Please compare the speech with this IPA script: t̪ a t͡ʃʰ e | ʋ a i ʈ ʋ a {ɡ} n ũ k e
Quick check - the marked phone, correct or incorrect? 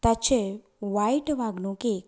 correct